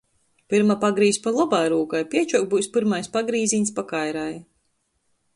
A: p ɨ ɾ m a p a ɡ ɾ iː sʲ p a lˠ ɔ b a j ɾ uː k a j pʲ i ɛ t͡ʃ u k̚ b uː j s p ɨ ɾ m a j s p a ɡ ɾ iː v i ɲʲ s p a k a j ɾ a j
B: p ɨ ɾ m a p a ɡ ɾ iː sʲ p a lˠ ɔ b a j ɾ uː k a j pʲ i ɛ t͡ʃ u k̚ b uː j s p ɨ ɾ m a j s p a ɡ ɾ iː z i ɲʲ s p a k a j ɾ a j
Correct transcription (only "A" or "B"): B